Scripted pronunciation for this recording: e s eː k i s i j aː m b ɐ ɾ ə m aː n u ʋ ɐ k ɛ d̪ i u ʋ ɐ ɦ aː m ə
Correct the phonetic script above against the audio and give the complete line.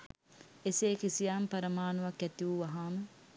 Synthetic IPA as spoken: e s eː k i s i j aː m p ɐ ɾ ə m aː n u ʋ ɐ k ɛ t̪ i u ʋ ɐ ɦ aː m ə